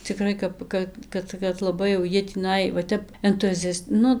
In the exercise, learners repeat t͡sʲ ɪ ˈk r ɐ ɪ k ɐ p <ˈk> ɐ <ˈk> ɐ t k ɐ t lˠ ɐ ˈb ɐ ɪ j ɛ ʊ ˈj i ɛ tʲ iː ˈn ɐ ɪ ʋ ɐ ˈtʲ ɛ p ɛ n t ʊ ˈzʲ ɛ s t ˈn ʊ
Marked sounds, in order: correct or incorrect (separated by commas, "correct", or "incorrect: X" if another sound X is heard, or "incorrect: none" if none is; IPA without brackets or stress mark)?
correct, correct